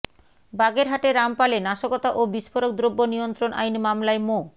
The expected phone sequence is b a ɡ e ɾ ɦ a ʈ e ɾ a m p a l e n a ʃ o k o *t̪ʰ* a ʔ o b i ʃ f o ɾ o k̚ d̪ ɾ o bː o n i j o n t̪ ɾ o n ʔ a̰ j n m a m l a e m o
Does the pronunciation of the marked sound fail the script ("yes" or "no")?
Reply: yes